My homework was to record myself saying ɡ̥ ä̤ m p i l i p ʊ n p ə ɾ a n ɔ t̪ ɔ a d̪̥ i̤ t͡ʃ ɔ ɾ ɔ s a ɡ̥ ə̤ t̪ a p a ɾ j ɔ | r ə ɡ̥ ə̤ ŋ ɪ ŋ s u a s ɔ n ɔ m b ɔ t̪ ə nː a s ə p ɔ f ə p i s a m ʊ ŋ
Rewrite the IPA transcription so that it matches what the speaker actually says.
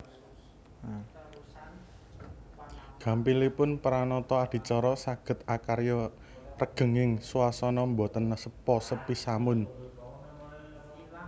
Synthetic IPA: ɡ̥ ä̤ m p i l i p ʊ n p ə ɾ a n ɔ t̪ ɔ a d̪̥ i̤ t͡ʃ ɔ ɾ ɔ s a ɡ̥ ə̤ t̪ a k a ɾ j ɔ | r ə ɡ̥ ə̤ ŋ ɪ ŋ s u a s ɔ n ɔ m b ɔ t̪ ə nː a s ə p ɔ s ə p i s a m ʊ n